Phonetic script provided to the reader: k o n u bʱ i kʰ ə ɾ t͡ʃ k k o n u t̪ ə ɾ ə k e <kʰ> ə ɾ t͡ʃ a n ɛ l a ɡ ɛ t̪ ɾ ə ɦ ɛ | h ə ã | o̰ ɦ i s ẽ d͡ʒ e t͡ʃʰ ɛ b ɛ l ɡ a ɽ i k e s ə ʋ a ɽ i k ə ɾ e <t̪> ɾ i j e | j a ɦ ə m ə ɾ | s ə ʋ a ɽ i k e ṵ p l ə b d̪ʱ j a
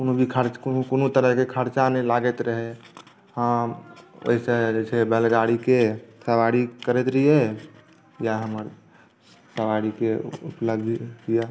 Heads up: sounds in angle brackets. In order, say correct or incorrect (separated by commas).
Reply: correct, correct